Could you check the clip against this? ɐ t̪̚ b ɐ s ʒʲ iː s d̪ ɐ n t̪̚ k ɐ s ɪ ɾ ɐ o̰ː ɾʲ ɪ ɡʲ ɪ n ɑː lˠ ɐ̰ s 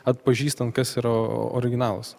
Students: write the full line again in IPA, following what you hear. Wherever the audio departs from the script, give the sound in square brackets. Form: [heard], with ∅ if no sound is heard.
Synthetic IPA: ɐ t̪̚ [p] ɐ [∅] ʒʲ iː s [t̪] ɐ n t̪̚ k ɐ s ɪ ɾ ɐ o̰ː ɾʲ ɪ ɡʲ ɪ n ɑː lˠ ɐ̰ s